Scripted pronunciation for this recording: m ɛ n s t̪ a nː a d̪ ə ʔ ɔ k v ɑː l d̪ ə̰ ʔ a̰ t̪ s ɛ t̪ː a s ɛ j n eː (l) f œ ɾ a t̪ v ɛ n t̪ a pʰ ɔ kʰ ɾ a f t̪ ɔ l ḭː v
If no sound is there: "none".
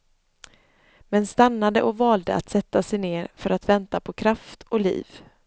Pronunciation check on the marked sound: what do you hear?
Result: ɾ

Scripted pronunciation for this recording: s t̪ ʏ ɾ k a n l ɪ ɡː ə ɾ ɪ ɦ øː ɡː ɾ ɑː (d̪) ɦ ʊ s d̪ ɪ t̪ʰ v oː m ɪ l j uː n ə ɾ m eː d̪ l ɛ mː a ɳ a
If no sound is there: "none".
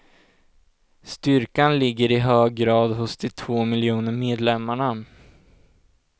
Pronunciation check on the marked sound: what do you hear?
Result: d̪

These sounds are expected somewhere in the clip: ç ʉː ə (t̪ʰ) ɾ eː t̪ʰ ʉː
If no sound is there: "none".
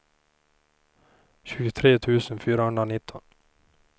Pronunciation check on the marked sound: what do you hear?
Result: t̪ʰ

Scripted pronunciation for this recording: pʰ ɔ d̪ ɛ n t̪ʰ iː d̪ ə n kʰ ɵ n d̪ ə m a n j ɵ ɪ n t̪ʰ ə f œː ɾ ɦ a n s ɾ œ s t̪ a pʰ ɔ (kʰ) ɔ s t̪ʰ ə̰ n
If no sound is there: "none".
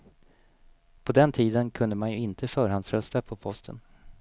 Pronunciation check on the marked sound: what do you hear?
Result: pʰ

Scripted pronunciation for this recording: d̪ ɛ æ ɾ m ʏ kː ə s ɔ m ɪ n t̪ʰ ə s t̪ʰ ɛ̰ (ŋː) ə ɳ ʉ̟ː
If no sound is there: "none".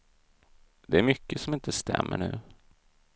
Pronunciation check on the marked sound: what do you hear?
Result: mː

